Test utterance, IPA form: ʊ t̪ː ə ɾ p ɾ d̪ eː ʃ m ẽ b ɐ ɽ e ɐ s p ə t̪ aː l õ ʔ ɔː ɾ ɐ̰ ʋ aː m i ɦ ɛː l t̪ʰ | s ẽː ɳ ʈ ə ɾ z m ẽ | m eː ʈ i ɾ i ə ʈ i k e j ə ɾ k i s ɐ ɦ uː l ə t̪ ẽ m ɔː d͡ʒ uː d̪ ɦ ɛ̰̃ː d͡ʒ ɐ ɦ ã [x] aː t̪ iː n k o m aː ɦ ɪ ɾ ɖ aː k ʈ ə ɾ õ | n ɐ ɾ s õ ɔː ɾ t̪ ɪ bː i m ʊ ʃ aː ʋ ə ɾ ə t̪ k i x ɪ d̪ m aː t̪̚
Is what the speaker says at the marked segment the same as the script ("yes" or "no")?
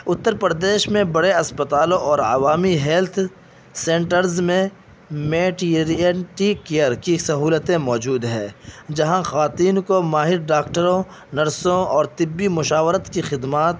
yes